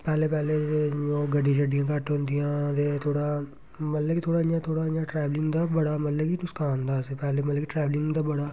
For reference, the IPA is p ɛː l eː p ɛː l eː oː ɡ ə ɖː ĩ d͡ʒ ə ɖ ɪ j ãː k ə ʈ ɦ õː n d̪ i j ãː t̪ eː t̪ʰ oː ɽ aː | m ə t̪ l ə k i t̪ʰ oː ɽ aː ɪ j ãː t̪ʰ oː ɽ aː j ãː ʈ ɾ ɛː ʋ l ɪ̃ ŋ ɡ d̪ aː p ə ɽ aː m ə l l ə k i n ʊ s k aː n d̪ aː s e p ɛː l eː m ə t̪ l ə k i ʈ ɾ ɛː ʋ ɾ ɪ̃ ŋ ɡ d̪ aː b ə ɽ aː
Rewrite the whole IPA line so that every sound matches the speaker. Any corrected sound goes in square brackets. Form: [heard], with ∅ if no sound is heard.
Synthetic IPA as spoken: p ɛː l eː p ɛː l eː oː ɡ ə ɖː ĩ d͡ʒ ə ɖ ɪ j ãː k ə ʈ ɦ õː n d̪ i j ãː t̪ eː t̪ʰ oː ɽ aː | m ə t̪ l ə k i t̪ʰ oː ɽ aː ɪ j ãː t̪ʰ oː ɽ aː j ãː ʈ ɾ ɛː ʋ l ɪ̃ ŋ ɡ d̪ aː [b] ə ɽ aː m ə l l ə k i n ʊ s k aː n d̪ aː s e p ɛː l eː m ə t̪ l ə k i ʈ ɾ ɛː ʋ [l] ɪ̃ ŋ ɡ d̪ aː b ə ɽ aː